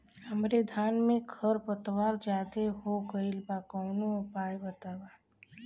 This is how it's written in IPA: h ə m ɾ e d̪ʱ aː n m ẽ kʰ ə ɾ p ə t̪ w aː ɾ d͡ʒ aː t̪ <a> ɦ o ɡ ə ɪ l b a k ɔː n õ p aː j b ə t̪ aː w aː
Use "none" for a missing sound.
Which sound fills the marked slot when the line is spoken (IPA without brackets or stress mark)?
e